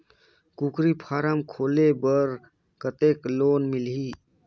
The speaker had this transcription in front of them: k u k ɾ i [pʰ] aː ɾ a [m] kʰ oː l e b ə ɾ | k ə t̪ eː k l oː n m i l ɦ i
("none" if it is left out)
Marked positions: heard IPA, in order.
pʰ, m

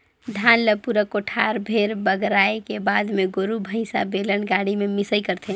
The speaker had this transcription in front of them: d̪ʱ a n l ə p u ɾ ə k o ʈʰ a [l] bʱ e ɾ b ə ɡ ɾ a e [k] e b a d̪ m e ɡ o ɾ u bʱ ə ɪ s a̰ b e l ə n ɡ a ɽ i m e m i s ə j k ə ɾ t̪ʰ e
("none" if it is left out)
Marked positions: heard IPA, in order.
ɾ, k

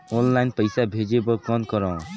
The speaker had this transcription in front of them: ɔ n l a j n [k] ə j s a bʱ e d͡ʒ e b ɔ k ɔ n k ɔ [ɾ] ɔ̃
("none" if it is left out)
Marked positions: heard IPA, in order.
p, ɾ

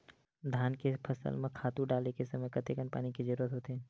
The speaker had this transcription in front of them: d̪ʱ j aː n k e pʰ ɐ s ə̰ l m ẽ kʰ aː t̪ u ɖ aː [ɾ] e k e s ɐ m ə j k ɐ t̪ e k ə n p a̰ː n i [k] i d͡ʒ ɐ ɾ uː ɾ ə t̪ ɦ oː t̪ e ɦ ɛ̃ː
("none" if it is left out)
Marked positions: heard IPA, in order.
l, k

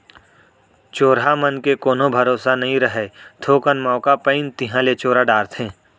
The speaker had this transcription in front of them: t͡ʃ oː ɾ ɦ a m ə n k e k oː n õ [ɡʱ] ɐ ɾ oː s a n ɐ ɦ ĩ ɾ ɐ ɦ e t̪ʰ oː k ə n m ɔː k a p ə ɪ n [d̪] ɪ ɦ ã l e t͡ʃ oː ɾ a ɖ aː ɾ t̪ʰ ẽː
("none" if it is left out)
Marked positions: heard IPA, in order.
bʱ, t̪

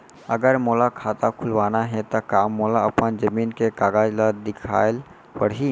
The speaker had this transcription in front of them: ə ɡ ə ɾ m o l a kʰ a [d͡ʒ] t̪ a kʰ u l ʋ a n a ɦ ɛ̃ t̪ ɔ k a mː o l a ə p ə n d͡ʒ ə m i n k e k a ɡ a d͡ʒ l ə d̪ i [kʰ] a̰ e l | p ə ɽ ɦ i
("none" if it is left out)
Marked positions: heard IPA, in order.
none, kʰ

